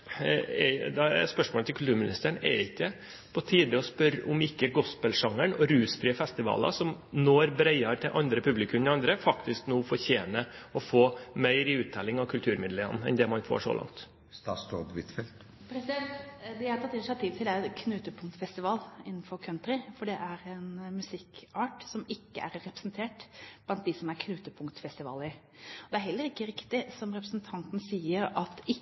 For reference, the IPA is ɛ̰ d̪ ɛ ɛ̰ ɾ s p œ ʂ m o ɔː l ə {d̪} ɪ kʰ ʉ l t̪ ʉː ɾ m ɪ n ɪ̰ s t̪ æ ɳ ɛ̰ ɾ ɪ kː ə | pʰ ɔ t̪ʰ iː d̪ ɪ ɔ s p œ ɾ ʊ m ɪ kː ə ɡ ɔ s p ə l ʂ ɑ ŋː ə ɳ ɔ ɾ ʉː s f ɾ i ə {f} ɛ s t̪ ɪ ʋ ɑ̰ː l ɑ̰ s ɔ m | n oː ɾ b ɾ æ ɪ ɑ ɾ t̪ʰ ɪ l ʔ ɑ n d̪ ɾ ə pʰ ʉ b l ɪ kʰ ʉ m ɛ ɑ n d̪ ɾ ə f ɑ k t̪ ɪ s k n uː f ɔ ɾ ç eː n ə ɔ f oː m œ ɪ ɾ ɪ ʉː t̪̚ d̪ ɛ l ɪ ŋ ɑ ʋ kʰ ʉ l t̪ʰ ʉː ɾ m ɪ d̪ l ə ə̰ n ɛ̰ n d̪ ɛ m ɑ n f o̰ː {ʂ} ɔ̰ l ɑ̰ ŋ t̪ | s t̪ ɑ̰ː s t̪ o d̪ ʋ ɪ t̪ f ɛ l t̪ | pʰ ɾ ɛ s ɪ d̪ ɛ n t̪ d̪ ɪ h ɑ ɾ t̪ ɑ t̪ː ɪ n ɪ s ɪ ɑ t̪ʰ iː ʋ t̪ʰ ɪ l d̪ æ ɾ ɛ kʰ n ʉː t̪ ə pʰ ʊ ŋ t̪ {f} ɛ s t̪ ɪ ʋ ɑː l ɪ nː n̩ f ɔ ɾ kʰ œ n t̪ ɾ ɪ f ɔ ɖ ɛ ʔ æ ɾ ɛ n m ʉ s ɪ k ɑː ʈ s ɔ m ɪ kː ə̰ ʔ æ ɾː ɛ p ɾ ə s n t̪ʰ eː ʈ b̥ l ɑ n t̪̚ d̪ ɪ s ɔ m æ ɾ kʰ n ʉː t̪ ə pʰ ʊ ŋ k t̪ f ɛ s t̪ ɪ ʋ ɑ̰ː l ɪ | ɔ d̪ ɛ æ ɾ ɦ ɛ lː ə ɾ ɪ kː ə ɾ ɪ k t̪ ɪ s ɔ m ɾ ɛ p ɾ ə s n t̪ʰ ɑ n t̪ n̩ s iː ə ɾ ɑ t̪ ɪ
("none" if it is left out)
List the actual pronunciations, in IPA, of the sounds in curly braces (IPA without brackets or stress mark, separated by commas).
t̪, f, ʂ, f